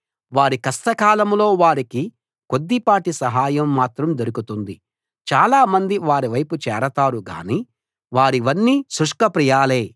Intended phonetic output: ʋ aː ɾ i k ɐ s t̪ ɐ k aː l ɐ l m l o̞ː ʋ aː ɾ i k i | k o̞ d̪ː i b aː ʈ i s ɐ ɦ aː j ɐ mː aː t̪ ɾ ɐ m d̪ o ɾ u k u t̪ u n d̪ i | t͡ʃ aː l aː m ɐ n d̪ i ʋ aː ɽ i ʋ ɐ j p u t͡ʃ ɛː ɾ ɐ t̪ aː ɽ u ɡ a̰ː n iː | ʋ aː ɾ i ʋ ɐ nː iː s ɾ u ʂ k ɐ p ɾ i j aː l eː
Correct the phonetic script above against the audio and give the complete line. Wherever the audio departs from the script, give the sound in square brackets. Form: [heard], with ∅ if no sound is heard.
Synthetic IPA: ʋ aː ɾ i k ɐ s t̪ ɐ k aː l ɐ [∅] m l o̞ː ʋ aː ɾ i k i | k o̞ d̪ː i [p] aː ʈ i s ɐ ɦ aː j ɐ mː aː t̪ ɾ ɐ m d̪ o ɾ u k u t̪ u n d̪ i | t͡ʃ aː l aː m ɐ n d̪ i ʋ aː [ɾ] i ʋ ɐ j p u t͡ʃ ɛː ɾ ɐ t̪ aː [ɾ] u ɡ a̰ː n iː | ʋ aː ɾ i ʋ ɐ nː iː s ɾ u ʂ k ɐ p ɾ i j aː l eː